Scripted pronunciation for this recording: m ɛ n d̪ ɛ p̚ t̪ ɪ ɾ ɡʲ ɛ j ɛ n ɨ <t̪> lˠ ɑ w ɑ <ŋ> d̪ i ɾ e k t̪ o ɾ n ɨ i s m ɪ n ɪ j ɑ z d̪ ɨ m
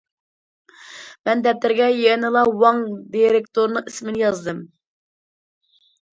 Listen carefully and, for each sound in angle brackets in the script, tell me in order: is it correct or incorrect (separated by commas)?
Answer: incorrect, correct